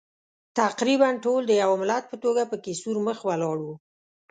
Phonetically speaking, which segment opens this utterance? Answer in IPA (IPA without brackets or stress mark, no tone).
t̪